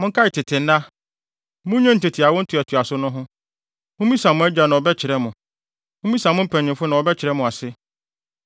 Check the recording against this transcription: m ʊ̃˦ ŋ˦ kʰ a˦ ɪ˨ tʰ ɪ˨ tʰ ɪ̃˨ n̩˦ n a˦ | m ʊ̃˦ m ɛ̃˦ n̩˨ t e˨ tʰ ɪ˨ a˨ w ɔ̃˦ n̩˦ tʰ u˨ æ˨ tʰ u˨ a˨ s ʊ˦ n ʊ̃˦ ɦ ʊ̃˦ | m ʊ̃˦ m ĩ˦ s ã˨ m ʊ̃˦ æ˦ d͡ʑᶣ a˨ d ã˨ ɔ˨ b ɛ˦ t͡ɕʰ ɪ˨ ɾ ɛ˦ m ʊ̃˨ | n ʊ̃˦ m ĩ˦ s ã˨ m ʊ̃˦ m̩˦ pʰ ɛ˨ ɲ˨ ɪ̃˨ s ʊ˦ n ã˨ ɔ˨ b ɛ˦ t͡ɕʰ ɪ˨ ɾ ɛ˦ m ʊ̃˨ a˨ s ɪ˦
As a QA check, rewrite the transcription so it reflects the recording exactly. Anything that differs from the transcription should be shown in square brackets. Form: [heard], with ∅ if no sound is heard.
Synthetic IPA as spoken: m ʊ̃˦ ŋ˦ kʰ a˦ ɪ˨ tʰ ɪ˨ tʰ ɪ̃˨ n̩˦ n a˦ | m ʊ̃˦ [ɲ] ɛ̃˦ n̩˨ t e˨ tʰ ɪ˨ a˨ w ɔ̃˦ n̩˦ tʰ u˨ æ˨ tʰ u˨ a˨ s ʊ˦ n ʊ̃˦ ɦ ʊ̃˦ | m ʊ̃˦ m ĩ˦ s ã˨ m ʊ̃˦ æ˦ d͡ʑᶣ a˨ [n] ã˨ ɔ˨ b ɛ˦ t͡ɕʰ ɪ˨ ɾ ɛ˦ m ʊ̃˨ | [m] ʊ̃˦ m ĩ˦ s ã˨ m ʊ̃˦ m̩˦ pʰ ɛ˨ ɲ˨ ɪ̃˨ [f] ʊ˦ n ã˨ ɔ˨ b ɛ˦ t͡ɕʰ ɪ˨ ɾ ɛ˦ m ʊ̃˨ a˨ s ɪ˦

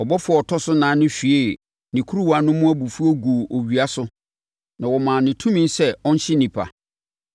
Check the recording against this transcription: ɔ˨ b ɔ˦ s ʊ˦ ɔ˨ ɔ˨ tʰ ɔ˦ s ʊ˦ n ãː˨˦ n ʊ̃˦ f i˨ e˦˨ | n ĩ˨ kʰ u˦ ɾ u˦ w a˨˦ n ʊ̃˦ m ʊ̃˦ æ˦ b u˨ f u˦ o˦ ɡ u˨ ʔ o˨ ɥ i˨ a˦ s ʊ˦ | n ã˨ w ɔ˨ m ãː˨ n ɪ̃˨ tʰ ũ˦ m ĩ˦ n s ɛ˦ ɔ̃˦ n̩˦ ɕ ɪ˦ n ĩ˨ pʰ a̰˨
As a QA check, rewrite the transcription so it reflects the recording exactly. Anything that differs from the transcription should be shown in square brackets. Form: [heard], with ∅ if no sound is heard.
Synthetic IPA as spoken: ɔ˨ b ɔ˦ [f] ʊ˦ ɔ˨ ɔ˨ tʰ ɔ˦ s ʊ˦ n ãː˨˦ n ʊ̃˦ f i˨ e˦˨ | n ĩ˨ kʰ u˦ ɾ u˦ w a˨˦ n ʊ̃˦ m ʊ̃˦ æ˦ b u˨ f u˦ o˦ ɡ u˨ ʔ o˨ ɥ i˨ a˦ s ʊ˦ | n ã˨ w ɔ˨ m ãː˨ n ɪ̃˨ tʰ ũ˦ m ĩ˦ n s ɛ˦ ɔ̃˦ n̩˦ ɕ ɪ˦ n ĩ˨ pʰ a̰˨

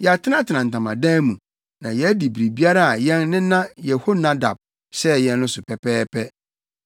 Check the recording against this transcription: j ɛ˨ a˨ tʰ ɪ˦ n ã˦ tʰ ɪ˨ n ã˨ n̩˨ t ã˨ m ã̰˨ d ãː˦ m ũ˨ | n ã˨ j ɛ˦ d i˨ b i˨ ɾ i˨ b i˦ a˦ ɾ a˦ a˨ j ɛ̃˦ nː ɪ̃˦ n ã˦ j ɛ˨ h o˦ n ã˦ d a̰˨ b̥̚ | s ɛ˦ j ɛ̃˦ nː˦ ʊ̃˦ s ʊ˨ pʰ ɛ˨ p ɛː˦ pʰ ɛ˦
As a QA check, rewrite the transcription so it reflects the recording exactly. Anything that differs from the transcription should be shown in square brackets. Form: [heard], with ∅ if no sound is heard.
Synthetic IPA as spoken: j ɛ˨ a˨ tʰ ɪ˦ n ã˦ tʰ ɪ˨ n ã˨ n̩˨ t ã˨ m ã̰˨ d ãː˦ m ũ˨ | n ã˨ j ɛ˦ d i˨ b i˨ ɾ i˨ b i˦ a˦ ɾ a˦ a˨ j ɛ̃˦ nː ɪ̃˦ n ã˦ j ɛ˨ h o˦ n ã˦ d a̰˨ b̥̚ | s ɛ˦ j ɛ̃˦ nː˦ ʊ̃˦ s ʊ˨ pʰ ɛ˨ p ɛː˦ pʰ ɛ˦

